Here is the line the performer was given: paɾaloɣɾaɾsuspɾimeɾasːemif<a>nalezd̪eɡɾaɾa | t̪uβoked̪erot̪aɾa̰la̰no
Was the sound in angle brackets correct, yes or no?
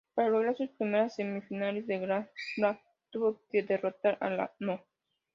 no